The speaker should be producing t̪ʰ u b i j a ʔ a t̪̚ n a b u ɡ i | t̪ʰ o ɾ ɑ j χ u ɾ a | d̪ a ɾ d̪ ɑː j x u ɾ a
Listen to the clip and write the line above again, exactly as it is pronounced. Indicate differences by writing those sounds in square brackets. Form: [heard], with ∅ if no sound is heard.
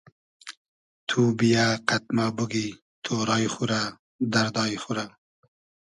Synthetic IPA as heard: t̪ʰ u b i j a [q] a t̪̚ [m] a b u ɡ i | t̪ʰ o ɾ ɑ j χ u ɾ a | d̪ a ɾ d̪ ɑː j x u ɾ a